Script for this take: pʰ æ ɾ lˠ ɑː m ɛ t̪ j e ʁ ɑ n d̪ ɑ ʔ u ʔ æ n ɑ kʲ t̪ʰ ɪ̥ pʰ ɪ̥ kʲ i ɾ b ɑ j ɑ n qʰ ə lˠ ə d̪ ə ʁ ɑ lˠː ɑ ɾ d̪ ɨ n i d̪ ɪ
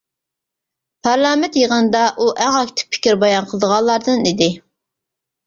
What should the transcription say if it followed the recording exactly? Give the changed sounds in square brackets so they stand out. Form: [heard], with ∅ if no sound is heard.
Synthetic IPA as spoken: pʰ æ ɾ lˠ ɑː m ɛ t̪ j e ʁ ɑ n d̪ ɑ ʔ u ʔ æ [ŋ] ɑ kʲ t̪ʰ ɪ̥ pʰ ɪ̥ kʲ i ɾ b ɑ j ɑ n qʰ ə lˠ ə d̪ ə ʁ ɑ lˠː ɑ ɾ d̪ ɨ n i d̪ ɪ